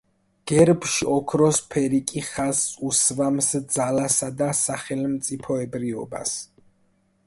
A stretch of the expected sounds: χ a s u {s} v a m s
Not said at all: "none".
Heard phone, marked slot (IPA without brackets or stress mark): s